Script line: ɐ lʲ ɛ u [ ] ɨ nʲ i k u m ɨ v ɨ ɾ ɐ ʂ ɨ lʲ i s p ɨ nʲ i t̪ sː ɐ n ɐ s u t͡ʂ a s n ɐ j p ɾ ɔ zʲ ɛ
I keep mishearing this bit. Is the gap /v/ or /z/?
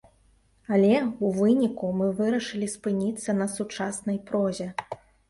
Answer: v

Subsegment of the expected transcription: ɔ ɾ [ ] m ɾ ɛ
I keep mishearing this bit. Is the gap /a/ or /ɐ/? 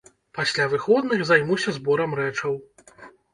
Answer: ɐ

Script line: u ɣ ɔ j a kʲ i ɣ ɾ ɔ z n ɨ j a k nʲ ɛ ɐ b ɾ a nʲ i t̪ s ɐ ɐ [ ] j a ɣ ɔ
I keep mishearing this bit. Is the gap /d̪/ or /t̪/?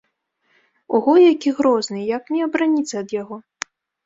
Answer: d̪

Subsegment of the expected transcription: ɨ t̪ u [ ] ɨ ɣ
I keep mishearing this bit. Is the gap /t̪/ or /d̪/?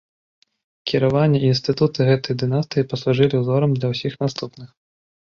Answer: t̪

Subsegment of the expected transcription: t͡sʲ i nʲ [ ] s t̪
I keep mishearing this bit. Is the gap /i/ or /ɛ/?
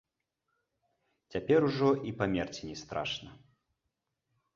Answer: ɛ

